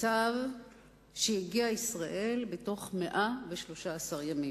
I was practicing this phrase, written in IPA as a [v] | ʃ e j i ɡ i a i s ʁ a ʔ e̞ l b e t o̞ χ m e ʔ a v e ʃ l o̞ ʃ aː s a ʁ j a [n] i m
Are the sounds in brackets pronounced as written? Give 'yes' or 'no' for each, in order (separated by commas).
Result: yes, no